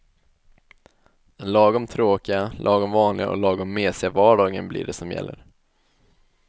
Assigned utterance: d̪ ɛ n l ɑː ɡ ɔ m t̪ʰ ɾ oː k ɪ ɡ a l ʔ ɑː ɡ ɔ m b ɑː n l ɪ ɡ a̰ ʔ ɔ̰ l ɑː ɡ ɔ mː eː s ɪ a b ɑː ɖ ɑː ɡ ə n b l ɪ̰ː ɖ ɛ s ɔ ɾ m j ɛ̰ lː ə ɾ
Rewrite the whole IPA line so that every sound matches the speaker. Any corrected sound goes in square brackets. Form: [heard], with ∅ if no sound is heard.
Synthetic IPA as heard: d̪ ɛ n l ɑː ɡ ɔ m t̪ʰ ɾ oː k ɪ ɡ a l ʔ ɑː ɡ ɔ m [v] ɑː n l ɪ ɡ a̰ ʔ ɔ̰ l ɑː ɡ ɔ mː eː s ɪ a [v] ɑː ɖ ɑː ɡ ə n b l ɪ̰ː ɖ ɛ s ɔ [∅] m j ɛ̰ lː ə ɾ